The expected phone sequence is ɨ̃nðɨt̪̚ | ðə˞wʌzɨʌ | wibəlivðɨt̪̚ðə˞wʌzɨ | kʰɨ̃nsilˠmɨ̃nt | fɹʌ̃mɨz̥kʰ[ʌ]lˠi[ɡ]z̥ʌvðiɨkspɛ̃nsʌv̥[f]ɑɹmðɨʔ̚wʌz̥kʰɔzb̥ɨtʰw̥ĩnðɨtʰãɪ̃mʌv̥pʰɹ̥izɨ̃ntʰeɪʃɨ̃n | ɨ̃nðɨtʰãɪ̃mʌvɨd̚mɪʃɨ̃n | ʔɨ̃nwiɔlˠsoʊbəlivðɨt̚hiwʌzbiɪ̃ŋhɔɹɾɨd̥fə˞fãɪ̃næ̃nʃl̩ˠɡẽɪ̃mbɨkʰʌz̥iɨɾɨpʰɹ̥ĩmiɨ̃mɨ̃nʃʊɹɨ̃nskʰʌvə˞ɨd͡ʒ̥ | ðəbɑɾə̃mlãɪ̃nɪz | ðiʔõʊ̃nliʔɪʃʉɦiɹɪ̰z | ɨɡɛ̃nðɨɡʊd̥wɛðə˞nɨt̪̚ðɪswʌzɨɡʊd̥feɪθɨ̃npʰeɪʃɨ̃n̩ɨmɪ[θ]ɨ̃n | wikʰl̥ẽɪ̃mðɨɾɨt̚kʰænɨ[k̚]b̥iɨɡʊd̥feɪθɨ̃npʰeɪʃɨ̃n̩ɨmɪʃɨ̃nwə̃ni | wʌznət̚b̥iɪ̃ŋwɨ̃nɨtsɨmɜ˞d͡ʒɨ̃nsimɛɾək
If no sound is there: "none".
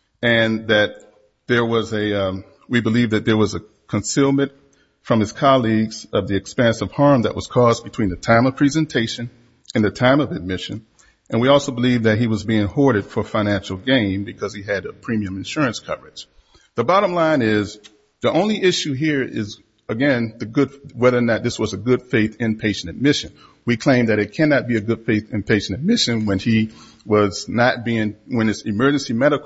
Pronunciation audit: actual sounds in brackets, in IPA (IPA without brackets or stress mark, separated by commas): ɑ, ɡ, h, ʃ, t̚